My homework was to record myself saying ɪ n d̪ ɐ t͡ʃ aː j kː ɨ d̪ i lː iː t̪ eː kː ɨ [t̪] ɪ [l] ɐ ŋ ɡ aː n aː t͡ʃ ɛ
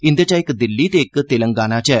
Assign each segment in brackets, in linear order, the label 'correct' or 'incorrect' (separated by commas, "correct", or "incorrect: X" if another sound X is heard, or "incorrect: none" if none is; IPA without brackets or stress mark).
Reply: correct, correct